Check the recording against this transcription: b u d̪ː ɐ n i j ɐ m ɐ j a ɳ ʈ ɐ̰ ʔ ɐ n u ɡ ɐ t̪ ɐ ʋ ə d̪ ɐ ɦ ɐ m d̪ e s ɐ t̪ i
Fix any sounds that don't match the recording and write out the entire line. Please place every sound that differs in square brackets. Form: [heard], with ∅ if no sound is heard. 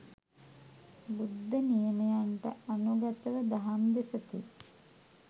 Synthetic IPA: b u d̪ː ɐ n i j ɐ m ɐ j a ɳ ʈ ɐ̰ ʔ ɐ n u ɡ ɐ t̪ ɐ ʋ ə d̪ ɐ ɦ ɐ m d̪ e s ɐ t̪ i